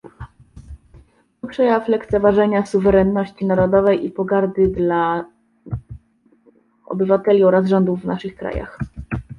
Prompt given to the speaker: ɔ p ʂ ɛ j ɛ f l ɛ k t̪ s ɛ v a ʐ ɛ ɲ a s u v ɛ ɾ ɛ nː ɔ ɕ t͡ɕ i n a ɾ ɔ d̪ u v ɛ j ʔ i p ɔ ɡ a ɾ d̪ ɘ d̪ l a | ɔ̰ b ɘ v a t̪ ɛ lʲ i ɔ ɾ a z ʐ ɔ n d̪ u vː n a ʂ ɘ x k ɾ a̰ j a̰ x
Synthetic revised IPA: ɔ p ʂ ɛ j a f l ɛ k t̪ s ɛ v a ʐ ɛ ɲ a s u v ɛ ɾ ɛ nː ɔ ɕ t͡ɕ i n a ɾ ɔ d̪ ɔ v ɛ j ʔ i p ɔ ɡ a ɾ d̪ ɘ d̪ l a | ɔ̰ b ɘ v a t̪ ɛ lʲ i ɔ ɾ a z ʐ ɔ n d̪ u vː n a ʂ ɘ x k ɾ a̰ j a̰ x